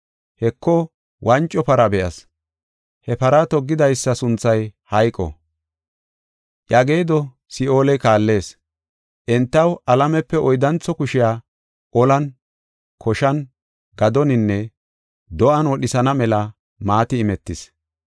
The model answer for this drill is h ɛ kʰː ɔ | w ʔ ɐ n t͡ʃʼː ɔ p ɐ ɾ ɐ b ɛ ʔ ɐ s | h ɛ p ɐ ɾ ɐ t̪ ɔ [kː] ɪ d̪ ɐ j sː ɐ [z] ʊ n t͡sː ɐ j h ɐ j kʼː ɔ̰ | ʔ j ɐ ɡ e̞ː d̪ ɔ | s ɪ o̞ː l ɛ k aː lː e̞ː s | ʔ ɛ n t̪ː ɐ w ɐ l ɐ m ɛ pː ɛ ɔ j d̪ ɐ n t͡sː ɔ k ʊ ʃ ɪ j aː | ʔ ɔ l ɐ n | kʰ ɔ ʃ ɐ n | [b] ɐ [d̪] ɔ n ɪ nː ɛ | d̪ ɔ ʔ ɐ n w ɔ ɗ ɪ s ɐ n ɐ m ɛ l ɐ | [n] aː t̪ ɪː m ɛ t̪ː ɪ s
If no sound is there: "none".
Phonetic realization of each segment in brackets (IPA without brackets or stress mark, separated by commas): ɡː, s, ɡ, d̪, m